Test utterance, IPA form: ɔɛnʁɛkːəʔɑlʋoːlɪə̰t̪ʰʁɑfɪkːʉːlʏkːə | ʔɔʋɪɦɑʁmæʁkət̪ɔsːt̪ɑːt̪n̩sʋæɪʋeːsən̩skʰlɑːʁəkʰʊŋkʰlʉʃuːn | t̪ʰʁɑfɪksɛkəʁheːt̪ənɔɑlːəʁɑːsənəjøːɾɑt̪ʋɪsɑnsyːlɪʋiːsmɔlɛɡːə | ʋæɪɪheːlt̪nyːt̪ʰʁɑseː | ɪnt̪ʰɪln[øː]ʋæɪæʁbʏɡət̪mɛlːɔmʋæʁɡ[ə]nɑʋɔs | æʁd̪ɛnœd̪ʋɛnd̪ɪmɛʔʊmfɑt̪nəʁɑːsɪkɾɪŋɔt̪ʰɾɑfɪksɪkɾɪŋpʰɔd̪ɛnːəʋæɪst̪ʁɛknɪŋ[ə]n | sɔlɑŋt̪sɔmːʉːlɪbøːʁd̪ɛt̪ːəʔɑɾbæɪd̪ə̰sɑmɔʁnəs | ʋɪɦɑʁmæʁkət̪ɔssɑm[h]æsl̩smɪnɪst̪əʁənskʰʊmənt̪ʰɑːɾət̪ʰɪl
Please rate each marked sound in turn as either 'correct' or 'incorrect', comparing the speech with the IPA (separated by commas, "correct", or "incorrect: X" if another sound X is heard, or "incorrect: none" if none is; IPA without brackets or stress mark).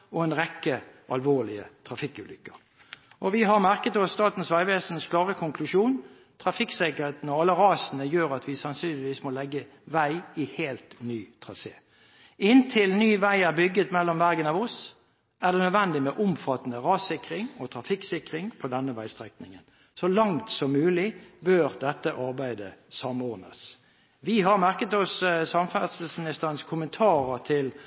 incorrect: yː, correct, correct, incorrect: f